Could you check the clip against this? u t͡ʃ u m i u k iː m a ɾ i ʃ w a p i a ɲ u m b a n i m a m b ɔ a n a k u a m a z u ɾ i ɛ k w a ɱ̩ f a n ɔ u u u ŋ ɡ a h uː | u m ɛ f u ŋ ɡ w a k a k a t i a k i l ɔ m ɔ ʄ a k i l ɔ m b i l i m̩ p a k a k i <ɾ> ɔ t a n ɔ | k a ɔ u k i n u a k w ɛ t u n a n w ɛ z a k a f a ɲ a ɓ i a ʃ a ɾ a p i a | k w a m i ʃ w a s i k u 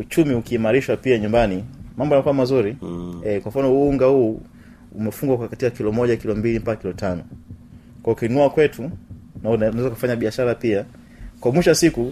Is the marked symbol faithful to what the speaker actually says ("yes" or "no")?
no